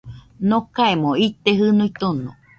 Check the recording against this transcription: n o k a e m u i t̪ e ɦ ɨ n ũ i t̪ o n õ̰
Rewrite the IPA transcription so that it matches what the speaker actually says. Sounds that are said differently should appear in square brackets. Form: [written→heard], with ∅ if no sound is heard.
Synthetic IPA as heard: n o k a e m [u→o] i t̪ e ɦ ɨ n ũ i t̪ o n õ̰